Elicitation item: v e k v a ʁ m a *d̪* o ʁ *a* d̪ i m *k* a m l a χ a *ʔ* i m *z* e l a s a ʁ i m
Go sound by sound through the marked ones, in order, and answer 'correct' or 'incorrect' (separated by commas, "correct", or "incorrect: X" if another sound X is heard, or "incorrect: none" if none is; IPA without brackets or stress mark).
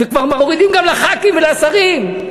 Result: incorrect: none, incorrect: i, incorrect: ɡ, incorrect: k, incorrect: v